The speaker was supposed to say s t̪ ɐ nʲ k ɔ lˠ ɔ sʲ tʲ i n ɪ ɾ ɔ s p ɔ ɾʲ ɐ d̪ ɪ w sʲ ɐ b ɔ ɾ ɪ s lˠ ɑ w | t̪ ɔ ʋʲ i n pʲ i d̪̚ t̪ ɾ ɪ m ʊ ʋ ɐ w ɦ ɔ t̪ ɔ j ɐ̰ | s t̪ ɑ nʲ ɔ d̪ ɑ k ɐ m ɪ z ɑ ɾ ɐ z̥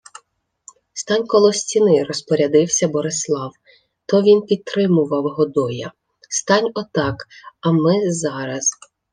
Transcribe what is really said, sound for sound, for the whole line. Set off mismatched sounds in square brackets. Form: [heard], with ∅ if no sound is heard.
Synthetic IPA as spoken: s t̪ [ɑ] nʲ k ɔ lˠ ɔ sʲ tʲ i n ɪ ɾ ɔ s p ɔ ɾʲ ɐ d̪ ɪ w sʲ ɐ b ɔ ɾ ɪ s lˠ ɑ w | t̪ ɔ ʋʲ i n pʲ i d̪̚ t̪ ɾ ɪ m ʊ ʋ ɐ w ɦ ɔ [d̪] ɔ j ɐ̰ | s t̪ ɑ nʲ ɔ [t̪] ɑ k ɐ m ɪ z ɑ ɾ ɐ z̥